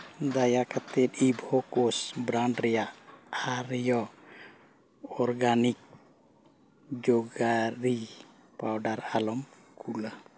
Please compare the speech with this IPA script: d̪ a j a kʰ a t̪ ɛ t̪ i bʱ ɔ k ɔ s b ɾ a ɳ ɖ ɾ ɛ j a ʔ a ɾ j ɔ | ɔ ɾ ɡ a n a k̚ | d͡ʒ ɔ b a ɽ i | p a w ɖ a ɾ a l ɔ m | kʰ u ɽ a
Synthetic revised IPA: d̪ a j a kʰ a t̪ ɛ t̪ i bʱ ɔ k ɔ s b ɾ a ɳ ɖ ɾ ɛ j a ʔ a ɾ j ɔ | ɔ ɾ ɡ a n i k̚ | d͡ʒ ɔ ɡ a ɾ i | p a w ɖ a ɾ a l ɔ m | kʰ u l a